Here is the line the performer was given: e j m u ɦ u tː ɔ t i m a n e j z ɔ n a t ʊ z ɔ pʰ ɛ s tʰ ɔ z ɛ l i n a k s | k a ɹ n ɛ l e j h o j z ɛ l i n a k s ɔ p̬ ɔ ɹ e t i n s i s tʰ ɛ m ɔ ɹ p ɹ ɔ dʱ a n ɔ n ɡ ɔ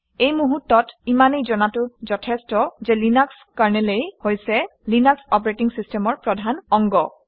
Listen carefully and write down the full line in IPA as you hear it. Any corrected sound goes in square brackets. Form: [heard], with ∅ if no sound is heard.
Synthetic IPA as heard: e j m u ɦ u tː ɔ t i m a n e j z ɔ n a t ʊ z ɔ [tʰ] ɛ s [t] ɔ z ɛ l i n a k s | k a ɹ n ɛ l e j h o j [s] ɛ l i n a k s ɔ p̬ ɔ ɹ e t i [ŋ] s i s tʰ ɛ m ɔ ɹ p ɹ ɔ dʱ a n ɔ [ŋ] ɡ ɔ